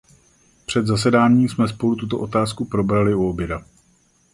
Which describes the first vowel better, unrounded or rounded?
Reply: unrounded